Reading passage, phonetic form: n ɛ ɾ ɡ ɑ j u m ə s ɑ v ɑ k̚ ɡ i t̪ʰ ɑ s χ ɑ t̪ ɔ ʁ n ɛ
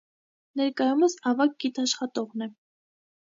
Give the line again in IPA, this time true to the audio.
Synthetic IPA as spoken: n ɛ ɾ k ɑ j u m ə s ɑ v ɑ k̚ ɡ i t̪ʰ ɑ ʃ χ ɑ t̪ ɔ ʁ n ɛ